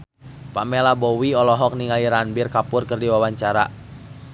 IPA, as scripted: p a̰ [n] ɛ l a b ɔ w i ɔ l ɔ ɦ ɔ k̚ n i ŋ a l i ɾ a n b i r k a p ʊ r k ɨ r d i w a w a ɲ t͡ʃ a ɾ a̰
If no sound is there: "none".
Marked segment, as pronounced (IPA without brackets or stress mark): m